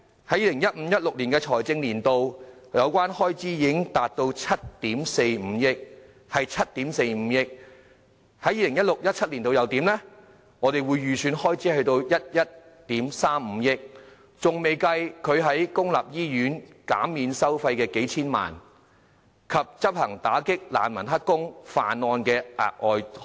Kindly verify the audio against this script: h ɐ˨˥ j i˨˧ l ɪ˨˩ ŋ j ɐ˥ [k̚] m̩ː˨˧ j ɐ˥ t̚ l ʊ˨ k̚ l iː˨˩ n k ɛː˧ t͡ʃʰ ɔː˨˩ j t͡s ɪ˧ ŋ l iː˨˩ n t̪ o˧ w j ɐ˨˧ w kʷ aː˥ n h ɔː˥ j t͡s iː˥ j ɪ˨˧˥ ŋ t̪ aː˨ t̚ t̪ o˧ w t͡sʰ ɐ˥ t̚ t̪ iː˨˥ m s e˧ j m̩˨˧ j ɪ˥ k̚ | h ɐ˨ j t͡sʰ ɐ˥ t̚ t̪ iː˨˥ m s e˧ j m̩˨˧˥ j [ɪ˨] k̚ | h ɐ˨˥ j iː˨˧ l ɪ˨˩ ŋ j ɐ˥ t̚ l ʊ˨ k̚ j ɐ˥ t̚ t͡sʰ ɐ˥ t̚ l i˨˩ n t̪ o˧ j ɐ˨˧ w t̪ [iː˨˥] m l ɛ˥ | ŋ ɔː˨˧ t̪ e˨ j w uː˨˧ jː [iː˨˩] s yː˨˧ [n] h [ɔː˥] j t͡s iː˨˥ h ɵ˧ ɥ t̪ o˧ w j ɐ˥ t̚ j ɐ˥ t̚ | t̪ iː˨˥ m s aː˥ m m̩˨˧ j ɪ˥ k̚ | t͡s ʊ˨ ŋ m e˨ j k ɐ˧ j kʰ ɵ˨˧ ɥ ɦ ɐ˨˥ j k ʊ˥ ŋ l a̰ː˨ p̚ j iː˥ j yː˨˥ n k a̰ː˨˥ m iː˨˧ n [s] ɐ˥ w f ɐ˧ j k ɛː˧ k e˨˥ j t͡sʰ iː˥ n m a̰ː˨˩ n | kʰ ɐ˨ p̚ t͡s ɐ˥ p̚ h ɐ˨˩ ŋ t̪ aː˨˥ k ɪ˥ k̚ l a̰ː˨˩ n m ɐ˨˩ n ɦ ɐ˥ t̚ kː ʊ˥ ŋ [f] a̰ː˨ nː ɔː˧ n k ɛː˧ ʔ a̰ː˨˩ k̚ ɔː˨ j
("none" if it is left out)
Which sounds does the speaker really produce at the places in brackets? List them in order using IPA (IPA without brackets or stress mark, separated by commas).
t̚, ɪ˥, iː˨˥, yː˨˩, n, ɔː˥, s, f